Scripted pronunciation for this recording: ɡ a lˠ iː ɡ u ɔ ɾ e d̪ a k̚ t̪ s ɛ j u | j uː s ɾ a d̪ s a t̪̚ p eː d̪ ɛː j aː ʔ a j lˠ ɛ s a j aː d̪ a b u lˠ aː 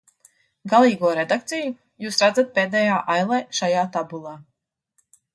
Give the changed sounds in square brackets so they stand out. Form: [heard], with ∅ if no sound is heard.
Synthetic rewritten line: ɡ a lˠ iː ɡ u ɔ ɾ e d̪ a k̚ t̪ s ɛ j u | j uː s ɾ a d̪ [z] a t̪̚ p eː d̪ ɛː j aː ʔ a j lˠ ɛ [ʃ] a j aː [t̪] a b u lˠ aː